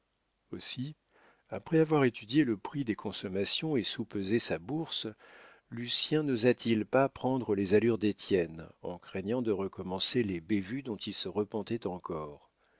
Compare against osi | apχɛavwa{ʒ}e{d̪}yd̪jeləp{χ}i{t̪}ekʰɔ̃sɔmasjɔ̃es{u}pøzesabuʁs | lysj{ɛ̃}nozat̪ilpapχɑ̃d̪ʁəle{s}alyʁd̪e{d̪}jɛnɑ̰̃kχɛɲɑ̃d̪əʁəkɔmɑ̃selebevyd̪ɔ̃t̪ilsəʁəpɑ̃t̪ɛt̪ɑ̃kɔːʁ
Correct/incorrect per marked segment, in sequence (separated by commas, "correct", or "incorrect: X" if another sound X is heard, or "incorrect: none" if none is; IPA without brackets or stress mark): incorrect: ʁ, incorrect: t̪, correct, incorrect: d̪, correct, correct, incorrect: z, incorrect: t̪